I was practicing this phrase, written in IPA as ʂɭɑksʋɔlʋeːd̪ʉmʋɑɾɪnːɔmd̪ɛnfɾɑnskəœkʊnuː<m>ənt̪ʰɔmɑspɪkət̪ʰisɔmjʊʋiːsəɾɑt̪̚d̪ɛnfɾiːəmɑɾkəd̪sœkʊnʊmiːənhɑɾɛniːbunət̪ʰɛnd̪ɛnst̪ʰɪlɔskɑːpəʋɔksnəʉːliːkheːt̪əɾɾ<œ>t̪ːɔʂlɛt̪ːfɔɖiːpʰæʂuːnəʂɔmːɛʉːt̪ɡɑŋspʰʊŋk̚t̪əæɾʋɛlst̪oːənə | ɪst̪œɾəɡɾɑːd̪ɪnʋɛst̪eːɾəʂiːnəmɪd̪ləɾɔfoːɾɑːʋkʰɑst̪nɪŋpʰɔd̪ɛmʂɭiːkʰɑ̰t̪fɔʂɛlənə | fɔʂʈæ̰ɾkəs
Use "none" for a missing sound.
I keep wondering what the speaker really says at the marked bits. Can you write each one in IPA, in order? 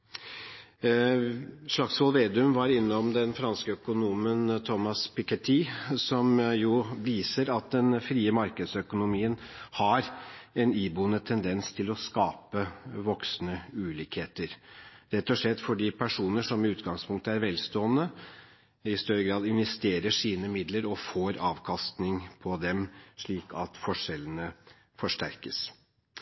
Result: m, ɛ

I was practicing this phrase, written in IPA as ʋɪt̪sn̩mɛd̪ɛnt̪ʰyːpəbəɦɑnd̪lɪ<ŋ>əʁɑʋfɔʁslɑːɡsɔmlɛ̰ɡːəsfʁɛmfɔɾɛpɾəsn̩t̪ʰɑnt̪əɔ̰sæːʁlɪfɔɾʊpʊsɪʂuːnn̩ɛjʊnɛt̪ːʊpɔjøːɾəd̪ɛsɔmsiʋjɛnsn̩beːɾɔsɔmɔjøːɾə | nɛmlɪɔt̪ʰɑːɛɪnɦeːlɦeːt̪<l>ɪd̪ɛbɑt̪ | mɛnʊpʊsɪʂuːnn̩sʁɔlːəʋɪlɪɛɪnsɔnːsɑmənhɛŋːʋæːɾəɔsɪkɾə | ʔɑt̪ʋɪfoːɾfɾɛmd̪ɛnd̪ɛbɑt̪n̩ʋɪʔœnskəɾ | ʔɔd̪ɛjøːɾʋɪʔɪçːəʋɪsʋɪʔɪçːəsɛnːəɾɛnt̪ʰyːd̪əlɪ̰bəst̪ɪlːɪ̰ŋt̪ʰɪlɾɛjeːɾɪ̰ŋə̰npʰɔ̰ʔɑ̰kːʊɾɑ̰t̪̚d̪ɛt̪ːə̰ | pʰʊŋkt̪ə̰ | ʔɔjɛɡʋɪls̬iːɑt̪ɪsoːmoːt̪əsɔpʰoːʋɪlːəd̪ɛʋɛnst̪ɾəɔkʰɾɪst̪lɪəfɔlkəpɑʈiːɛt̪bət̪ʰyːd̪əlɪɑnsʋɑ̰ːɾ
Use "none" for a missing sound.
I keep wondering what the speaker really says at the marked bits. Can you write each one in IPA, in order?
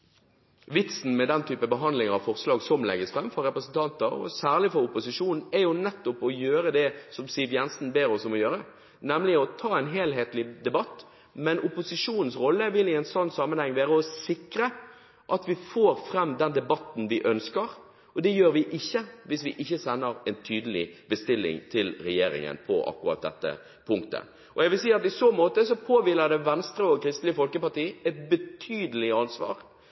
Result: ŋ, l

